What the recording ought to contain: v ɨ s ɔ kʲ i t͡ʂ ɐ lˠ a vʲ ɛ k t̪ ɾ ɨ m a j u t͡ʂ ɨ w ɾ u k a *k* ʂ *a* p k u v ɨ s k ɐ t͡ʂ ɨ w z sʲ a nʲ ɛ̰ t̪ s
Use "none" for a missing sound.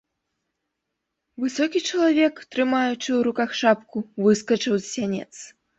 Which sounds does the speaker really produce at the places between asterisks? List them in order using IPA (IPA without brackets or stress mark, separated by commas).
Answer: x, a